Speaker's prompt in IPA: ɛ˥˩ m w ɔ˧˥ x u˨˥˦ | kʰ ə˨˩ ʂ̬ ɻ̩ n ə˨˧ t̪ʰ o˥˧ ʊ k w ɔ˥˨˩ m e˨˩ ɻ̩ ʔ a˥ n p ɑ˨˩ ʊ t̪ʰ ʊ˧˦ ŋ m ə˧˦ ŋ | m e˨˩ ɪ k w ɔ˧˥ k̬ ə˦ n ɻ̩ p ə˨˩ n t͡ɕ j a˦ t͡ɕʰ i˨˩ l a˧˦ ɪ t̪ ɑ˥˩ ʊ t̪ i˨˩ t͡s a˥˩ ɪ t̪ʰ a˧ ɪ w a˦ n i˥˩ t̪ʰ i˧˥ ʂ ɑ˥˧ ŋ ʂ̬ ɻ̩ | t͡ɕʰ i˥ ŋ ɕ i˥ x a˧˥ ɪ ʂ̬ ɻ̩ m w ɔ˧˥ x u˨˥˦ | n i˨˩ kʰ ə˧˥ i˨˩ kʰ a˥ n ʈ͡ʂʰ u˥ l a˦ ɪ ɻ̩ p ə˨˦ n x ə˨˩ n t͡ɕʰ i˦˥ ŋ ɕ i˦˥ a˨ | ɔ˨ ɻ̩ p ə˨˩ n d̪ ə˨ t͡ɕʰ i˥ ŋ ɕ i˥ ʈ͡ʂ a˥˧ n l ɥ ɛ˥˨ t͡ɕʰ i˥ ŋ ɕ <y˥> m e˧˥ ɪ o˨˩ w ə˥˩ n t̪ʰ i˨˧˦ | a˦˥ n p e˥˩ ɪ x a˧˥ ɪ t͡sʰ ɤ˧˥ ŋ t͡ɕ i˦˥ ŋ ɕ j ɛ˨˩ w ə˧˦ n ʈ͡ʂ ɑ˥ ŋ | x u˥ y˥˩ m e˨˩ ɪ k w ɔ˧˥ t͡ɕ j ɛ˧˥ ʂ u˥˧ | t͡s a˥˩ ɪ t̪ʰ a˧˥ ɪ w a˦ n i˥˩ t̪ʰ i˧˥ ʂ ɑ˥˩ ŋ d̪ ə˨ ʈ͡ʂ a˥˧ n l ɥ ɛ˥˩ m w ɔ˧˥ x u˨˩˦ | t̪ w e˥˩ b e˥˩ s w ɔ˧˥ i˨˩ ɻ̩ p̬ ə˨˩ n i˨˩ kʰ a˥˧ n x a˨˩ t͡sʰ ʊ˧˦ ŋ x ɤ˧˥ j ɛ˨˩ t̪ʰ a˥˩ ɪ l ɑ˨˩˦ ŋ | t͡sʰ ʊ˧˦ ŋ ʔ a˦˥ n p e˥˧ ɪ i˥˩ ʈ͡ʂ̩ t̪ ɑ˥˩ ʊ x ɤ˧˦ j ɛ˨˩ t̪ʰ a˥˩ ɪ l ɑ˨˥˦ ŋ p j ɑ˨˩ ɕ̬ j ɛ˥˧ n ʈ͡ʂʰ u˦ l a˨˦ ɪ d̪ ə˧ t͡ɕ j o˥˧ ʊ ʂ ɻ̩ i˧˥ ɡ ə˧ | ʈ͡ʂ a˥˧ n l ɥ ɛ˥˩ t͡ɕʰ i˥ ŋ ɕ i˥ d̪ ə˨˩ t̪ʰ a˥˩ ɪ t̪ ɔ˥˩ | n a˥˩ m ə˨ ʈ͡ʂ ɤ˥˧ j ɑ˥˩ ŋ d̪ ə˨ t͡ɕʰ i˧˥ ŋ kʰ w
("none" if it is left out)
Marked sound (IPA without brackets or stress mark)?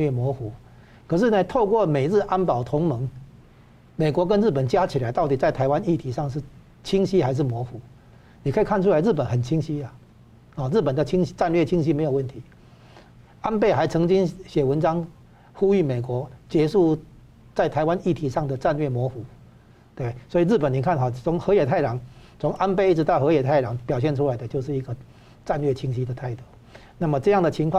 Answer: i˥